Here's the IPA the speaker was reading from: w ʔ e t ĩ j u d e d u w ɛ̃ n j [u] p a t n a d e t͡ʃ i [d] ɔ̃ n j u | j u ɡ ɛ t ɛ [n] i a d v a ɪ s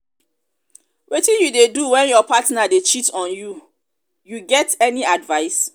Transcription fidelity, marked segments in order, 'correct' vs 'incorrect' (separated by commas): incorrect, incorrect, correct